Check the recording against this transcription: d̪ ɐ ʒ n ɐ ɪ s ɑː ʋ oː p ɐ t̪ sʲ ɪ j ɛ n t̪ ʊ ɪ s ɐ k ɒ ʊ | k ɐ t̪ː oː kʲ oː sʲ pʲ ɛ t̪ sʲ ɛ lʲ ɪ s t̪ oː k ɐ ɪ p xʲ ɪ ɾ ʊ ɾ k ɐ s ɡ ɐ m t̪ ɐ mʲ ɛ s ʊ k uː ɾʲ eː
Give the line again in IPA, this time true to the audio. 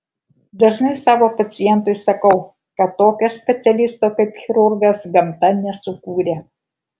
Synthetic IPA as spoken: d̪ ɐ ʒ n ɐ ɪ s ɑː ʋ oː p ɐ t̪ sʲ ɪ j ɛ n t̪ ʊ ɪ s ɐ k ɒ ʊ | k ɐ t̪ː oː kʲ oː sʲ pʲ ɛ t̪ sʲ ɛ lʲ ɪ s t̪ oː k ɐ ɪ p xʲ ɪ ɾ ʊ ɾ ɡ ɐ s ɡ ɐ m t̪ ɐ nʲ ɛ s ʊ k uː ɾʲ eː